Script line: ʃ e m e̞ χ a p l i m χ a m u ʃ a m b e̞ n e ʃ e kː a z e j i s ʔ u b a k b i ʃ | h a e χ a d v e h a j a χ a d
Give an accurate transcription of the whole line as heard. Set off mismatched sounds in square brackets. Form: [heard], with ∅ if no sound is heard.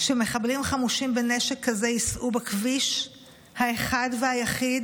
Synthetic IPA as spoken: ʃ e m e̞ χ a [b] l i m χ a m u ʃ [i] m b e̞ n e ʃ e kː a z e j i s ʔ u b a k [v] i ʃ | h a e χ a d v e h a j a χ [i] d